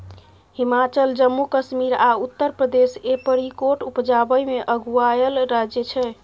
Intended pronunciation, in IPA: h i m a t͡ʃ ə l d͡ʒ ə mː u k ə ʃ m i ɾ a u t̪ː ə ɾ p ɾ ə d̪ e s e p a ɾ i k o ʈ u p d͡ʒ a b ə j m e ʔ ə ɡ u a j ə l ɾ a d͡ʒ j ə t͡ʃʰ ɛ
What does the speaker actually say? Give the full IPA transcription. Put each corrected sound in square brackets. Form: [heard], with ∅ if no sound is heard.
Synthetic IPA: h i m a t͡ʃ ə l d͡ʒ ə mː u k ə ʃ m i ɾ a u t̪ː ə ɾ p ɾ ə d̪ e s e p [ə] ɾ i k o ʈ u p d͡ʒ a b ə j m e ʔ ə ɡ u a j ə l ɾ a d͡ʒ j ə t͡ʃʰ ɛ